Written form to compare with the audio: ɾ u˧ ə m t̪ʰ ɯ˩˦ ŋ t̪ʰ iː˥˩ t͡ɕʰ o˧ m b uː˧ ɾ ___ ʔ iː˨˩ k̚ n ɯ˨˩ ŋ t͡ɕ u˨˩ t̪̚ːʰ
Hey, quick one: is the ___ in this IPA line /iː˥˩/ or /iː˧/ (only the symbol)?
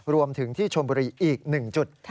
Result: iː˧